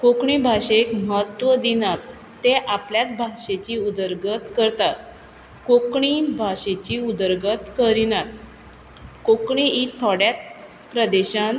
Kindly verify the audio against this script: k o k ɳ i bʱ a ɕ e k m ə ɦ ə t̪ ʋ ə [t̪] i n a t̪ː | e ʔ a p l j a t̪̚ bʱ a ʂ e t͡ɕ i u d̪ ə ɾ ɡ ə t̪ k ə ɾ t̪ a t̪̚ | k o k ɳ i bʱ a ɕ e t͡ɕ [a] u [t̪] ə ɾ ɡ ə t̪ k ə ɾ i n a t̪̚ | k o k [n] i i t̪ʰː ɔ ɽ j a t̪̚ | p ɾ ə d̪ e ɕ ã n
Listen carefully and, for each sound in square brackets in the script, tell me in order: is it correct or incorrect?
incorrect: d̪, incorrect: i, incorrect: d̪, incorrect: ɳ

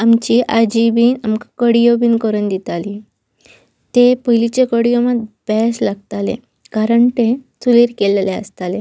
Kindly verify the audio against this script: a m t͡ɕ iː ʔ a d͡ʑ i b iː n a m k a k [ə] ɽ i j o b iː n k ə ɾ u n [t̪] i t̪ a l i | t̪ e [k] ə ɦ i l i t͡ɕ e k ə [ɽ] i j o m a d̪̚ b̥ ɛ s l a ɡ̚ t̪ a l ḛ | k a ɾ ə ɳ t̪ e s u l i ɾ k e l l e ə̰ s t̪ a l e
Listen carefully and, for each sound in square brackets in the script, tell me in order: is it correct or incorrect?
correct, incorrect: d̪, incorrect: p, correct

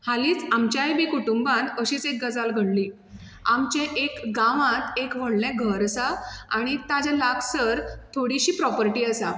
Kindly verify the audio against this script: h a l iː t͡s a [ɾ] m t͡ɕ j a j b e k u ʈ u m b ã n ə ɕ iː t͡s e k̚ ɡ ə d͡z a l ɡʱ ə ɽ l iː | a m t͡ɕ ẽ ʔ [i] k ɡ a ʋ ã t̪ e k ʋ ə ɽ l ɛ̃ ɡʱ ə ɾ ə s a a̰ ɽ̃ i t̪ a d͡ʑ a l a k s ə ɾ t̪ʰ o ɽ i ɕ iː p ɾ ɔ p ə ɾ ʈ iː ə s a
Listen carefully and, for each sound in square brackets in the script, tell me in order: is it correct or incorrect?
incorrect: none, incorrect: e

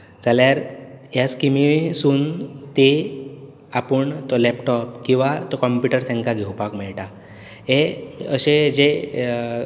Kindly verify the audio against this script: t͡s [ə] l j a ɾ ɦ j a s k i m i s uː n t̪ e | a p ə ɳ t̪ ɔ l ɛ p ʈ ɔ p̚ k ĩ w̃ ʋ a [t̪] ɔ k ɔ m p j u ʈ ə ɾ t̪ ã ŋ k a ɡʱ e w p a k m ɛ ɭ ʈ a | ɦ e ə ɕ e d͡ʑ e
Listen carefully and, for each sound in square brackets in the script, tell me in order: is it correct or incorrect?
incorrect: a, correct

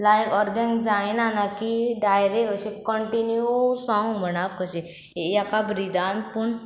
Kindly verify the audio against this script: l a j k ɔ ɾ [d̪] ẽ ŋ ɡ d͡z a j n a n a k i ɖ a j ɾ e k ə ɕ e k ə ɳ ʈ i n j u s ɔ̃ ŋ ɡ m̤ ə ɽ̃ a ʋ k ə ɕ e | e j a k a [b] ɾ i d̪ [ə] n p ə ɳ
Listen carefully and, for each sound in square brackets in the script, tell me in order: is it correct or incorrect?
correct, correct, incorrect: a

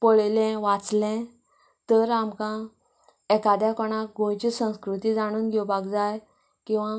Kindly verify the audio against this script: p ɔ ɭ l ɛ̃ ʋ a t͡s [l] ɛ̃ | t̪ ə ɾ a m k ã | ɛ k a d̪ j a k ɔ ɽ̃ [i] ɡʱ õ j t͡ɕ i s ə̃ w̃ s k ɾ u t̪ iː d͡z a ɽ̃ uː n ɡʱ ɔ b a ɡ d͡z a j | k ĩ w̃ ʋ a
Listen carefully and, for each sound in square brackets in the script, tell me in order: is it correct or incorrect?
correct, incorrect: a

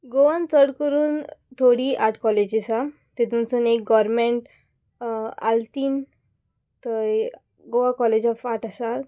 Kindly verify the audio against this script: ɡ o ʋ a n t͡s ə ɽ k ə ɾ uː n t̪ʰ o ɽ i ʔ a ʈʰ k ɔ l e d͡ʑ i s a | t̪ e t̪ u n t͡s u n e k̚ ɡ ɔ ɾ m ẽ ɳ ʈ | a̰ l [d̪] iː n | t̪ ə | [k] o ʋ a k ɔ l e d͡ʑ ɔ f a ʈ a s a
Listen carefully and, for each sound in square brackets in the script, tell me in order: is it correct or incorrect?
incorrect: t̪, incorrect: ɡ

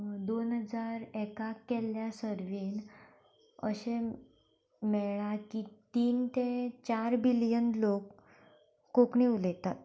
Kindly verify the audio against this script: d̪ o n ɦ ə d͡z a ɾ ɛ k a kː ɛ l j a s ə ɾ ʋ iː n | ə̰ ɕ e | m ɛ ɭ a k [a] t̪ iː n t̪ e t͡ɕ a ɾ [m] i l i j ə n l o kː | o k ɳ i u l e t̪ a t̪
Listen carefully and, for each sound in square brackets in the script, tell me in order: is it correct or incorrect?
incorrect: i, incorrect: b

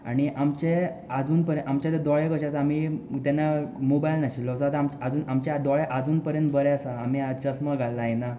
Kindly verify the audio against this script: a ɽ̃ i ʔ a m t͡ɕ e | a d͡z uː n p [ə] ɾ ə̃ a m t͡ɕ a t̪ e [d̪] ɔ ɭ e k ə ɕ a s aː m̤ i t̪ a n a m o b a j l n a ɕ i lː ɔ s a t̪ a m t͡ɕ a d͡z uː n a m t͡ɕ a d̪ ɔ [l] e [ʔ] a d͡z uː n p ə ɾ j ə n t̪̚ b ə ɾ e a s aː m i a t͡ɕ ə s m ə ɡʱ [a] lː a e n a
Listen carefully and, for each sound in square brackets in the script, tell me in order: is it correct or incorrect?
correct, correct, incorrect: ɭ, correct, correct

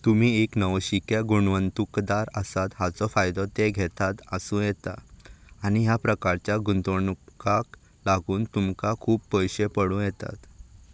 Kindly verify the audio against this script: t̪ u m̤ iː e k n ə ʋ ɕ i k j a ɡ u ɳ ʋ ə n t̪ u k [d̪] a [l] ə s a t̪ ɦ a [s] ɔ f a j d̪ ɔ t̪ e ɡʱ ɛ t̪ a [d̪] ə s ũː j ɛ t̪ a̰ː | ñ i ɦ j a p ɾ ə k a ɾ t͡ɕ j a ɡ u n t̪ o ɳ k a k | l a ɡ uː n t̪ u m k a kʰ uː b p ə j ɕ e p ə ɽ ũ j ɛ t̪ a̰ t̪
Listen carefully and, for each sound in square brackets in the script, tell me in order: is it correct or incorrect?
correct, incorrect: ɾ, incorrect: t͡s, incorrect: t̪

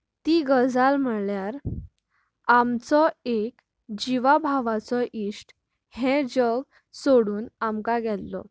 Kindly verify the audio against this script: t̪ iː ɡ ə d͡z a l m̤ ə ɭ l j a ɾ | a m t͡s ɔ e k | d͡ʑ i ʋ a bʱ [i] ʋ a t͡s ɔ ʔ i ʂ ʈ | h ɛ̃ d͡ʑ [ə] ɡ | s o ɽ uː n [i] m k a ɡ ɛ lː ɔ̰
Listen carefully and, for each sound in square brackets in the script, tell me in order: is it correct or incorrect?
incorrect: a, correct, incorrect: a

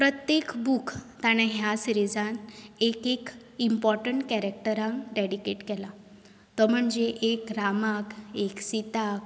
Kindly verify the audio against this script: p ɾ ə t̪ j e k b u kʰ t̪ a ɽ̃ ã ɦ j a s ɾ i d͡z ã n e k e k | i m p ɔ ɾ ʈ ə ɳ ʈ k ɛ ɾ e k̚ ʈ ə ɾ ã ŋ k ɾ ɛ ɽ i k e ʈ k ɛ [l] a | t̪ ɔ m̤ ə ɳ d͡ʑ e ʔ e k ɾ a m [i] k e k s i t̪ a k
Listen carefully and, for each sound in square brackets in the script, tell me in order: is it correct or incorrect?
correct, incorrect: a

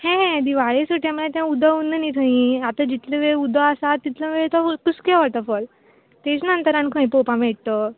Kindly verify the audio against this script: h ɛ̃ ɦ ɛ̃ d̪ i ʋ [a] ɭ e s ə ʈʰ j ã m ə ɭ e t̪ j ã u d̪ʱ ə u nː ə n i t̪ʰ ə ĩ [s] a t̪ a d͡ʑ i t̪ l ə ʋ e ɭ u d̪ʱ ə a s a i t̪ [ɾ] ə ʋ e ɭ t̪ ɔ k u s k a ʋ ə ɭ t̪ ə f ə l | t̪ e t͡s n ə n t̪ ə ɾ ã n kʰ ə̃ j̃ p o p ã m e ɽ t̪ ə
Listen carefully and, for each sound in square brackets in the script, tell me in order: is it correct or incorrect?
correct, incorrect: none, incorrect: l

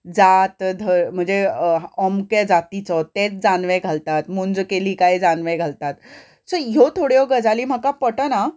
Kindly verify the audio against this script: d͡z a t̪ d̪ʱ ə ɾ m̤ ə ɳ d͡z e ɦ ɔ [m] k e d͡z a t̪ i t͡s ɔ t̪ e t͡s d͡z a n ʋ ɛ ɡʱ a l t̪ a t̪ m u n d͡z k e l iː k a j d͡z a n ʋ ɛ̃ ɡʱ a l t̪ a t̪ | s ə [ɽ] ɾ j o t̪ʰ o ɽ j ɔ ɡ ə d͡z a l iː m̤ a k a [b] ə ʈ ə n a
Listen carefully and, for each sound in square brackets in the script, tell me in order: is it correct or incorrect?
correct, incorrect: none, incorrect: p

